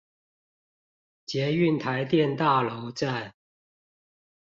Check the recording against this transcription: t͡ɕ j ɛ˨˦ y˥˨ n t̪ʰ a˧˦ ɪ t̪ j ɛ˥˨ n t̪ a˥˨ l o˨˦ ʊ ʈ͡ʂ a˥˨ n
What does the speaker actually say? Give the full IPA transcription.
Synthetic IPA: t͡ɕ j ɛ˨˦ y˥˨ n t̪ʰ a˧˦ ɪ t̪ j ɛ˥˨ n t̪ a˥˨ l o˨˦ ʊ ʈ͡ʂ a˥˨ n